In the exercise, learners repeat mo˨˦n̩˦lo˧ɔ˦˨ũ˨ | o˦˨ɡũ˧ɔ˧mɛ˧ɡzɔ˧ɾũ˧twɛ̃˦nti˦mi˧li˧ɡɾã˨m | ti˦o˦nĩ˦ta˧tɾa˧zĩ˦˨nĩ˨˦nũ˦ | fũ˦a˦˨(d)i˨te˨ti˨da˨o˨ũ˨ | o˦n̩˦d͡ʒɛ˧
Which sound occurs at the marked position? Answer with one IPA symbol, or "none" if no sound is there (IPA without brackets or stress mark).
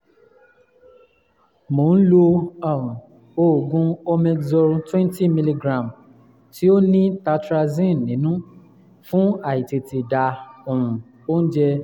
none